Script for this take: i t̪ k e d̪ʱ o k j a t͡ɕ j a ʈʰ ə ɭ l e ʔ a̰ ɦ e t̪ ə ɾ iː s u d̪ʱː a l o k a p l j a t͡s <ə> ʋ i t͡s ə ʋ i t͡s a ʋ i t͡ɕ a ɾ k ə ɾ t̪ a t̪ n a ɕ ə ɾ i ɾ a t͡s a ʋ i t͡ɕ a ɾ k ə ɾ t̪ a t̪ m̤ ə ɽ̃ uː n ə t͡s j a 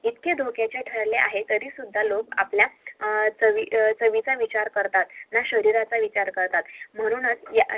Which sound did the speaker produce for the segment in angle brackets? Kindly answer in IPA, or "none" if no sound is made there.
ə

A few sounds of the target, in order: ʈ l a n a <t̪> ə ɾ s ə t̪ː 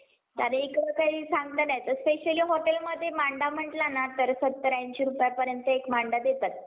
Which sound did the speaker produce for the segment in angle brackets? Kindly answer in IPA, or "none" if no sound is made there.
t̪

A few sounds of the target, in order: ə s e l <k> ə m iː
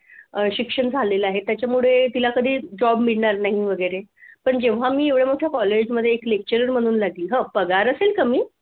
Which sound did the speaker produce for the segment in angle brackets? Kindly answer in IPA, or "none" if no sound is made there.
k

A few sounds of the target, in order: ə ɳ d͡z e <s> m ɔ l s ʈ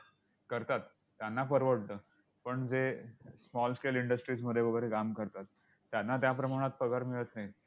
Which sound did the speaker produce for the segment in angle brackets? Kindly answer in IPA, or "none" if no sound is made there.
s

